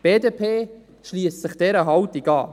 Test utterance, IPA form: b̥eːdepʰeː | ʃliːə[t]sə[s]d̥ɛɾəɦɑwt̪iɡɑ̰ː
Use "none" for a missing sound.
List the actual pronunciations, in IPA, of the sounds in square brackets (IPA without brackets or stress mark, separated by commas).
s, χ